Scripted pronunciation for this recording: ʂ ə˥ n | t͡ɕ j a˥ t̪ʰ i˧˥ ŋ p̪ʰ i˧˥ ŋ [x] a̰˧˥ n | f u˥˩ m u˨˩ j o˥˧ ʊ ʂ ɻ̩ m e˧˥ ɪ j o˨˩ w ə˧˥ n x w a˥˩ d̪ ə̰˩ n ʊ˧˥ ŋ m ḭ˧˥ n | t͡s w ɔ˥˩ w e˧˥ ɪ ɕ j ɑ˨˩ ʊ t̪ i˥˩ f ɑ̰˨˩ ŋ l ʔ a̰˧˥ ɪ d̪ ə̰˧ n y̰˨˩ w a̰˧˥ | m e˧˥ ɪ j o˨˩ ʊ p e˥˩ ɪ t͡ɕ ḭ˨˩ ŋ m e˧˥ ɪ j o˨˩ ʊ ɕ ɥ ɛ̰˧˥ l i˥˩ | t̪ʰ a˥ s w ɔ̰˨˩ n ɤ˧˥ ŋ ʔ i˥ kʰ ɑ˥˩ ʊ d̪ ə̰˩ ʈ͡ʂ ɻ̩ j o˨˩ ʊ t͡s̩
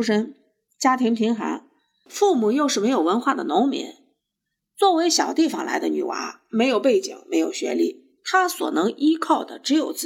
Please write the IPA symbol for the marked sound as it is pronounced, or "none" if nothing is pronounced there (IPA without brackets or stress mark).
x